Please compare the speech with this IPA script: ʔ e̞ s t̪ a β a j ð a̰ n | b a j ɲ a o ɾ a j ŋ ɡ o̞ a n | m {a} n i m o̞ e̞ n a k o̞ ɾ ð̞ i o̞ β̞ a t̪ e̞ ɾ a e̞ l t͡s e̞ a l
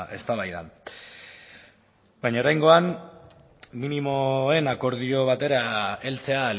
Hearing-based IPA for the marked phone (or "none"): i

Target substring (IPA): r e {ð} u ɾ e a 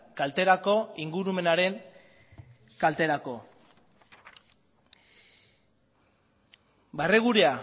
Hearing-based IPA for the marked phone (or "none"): ɣ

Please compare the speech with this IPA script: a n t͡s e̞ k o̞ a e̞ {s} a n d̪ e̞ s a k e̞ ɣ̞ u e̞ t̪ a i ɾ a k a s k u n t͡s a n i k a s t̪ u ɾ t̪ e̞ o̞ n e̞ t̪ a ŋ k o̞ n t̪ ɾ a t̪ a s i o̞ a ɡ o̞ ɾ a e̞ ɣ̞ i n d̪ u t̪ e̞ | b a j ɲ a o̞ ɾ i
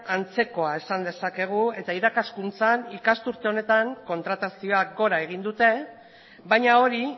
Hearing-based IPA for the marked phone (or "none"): s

